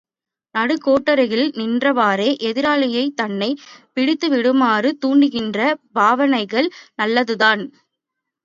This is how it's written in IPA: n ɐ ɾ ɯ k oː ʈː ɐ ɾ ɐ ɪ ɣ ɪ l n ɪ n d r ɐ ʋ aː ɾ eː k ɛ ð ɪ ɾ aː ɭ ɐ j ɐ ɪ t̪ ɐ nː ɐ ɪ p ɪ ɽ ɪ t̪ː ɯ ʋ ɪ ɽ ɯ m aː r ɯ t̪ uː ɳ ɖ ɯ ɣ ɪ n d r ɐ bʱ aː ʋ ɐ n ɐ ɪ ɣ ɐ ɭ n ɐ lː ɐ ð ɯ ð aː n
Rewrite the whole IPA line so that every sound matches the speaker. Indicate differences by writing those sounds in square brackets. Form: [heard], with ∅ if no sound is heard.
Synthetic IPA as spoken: n ɐ [ɽ] ɯ k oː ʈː ɐ ɾ ɐ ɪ ɣ ɪ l n ɪ n d r ɐ ʋ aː ɾ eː [ʔ] ɛ ð ɪ ɾ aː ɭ ɐ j ɐ ɪ t̪ ɐ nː ɐ ɪ p ɪ ɽ ɪ t̪ː ɯ ʋ ɪ ɽ ɯ m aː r ɯ t̪ uː ɳ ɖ ɯ ɣ ɪ n d r ɐ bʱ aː ʋ ɐ n ɐ ɪ ɣ ɐ ɭ n ɐ lː ɐ ð ɯ ð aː n

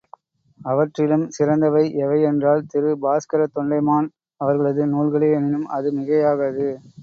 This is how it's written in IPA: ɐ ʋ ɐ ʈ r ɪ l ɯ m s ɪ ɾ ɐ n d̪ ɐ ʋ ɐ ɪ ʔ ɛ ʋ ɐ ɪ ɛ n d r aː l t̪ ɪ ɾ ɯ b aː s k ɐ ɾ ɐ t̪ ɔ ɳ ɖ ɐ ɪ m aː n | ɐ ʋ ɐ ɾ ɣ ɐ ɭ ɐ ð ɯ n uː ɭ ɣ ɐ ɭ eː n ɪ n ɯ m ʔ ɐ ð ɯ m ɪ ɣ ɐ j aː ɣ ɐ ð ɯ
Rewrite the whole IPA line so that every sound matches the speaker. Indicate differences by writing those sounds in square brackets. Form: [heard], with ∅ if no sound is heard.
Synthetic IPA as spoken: ɐ ʋ ɐ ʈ r ɪ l ɯ m s ɪ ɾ ɐ n d̪ ɐ ʋ ɐ ɪ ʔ ɛ ʋ ɐ ɪ ɛ n d r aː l t̪ ɪ ɾ ɯ b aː s k ɐ ɾ ɐ t̪ ɔ ɳ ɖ ɐ ɪ m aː n | ɐ ʋ ɐ ɾ ɣ ɐ ɭ ɐ ð ɯ n uː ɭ ɣ ɐ ɭ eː n ɪ n ɯ m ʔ ɐ ð ɯ m ɪ ɣ ɐ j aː ɣ ɐ ð ɯ

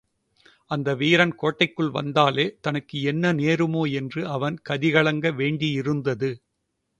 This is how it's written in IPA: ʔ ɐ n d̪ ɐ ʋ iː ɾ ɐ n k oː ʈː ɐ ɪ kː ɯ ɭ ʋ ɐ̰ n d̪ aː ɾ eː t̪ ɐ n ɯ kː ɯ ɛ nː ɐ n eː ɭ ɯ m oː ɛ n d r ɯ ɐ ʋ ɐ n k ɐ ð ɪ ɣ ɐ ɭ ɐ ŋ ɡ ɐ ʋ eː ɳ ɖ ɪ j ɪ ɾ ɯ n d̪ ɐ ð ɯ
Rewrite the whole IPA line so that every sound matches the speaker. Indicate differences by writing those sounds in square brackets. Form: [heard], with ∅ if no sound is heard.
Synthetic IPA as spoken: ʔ ɐ n d̪ ɐ ʋ iː ɾ ɐ n k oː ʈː ɐ ɪ kː ɯ ɭ ʋ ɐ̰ n d̪ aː [l] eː t̪ ɐ n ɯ kː ɯ ɛ nː ɐ n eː [ɾ] ɯ m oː ɛ n d r ɯ ɐ ʋ ɐ n k ɐ ð ɪ ɣ ɐ ɭ ɐ ŋ ɡ ɐ ʋ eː ɳ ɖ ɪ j ɪ ɾ ɯ n d̪ ɐ ð ɯ

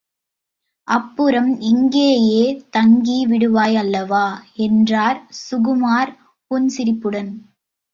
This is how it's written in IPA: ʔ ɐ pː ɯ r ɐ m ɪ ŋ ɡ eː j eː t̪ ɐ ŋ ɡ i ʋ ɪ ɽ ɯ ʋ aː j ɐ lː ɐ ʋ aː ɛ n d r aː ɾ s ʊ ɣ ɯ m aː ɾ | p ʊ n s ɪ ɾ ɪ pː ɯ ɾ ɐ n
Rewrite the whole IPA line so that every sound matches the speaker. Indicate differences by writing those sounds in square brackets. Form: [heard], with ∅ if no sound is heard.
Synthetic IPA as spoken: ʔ ɐ pː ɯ [ɾ] ɐ m ɪ ŋ ɡ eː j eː t̪ ɐ ŋ ɡ i ʋ ɪ ɽ ɯ ʋ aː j ɐ lː ɐ ʋ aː ɛ n d r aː ɾ s ʊ ɣ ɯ m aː ɾ | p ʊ n s ɪ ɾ ɪ pː ɯ [ɽ] ɐ n

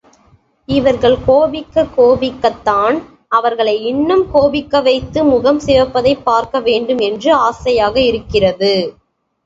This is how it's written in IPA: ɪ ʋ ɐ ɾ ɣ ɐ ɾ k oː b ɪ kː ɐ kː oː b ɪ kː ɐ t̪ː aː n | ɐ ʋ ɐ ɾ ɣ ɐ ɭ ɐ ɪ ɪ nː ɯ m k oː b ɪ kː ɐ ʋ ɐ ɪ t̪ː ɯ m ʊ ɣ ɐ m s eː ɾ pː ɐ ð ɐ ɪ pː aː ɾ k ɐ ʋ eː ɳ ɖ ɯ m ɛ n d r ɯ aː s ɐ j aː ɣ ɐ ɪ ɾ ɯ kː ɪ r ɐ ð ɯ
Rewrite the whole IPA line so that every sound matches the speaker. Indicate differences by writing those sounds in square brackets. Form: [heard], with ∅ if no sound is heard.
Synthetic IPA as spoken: ɪ ʋ ɐ ɾ ɣ ɐ [ɭ] k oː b ɪ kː ɐ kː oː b ɪ kː ɐ t̪ː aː n | ɐ ʋ ɐ ɾ ɣ ɐ ɭ ɐ ɪ ɪ nː ɯ m k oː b ɪ kː ɐ ʋ ɐ ɪ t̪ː ɯ m ʊ ɣ ɐ m s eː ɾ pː ɐ ð ɐ ɪ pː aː ɾ k ɐ ʋ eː ɳ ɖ ɯ m ɛ n d r ɯ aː s ɐ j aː ɣ ɐ ɪ ɾ ɯ kː ɪ r ɐ ð ɯ

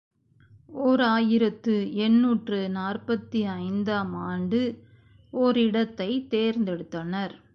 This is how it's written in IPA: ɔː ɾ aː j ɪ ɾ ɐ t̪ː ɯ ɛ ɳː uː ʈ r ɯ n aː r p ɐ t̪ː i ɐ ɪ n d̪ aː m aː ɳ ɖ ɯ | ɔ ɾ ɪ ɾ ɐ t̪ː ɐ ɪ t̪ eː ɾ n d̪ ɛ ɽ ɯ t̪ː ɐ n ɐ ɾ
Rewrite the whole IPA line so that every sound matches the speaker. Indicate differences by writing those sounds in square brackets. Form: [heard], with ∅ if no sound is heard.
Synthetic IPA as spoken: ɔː ɾ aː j ɪ ɾ ɐ t̪ː ɯ ɛ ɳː uː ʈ r ɯ n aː r p ɐ t̪ː i ɐ ɪ n d̪ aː m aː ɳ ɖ ɯ | ɔ ɾ ɪ [ɽ] ɐ t̪ː ɐ ɪ t̪ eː ɾ n d̪ ɛ ɽ ɯ t̪ː ɐ n ɐ ɾ

